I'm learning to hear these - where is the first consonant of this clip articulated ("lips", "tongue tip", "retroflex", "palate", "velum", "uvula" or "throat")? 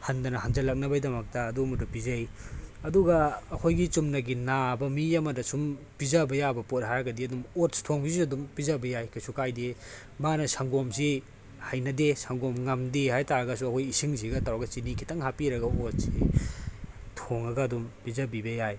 throat